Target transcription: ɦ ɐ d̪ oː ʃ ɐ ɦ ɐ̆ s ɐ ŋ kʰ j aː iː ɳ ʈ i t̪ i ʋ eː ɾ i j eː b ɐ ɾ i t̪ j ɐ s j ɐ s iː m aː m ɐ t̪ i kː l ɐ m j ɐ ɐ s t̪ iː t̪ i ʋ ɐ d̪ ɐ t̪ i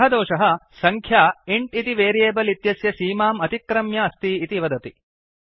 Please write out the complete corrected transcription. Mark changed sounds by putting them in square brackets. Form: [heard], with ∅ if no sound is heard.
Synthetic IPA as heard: ɦ ɐ d̪ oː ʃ ɐ ɦ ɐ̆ s ɐ ŋ kʰ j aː [i] ɳ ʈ i t̪ i ʋ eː ɾ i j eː b ɐ [l] i t̪ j ɐ s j ɐ s iː m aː m ɐ t̪ i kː [ɾ] ɐ m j ɐ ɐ s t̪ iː t̪ i ʋ ɐ d̪ ɐ t̪ i